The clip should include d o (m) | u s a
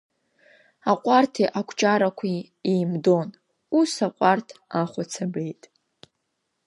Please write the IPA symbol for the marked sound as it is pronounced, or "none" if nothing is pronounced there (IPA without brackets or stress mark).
n